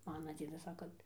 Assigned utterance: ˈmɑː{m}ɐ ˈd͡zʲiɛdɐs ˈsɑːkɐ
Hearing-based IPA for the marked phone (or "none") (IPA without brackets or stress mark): n